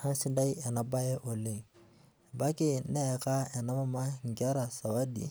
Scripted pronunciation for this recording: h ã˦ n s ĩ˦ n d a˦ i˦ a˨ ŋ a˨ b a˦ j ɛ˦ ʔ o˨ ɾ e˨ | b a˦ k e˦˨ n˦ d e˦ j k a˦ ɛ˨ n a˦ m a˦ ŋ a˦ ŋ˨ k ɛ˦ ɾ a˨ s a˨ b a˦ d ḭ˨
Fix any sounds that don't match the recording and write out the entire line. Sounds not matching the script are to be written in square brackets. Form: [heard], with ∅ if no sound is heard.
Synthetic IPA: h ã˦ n s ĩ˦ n d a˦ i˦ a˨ [n] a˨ b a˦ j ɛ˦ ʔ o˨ [l] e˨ | b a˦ k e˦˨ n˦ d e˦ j k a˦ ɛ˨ n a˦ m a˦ [m] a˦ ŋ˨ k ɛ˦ ɾ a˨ s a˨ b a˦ d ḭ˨